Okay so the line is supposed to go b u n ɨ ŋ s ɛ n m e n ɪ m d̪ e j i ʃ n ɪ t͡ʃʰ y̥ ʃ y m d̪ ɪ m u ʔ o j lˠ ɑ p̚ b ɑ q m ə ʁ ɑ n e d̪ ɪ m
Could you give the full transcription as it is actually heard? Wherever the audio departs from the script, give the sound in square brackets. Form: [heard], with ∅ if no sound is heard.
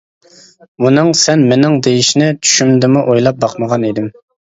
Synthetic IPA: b u n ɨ ŋ s ɛ n m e n ɪ [ŋ] d̪ e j i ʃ n ɪ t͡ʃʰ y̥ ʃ y m d̪ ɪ m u ʔ o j lˠ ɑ p̚ b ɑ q m ə ʁ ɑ n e d̪ ɪ m